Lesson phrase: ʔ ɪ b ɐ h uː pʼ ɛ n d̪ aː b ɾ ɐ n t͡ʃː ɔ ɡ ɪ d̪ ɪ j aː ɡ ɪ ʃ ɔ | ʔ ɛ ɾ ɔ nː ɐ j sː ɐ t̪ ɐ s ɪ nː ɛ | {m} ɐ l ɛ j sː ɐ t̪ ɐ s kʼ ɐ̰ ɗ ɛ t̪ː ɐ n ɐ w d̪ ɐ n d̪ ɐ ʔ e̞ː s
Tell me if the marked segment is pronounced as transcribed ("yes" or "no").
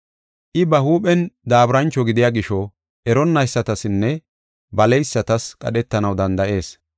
no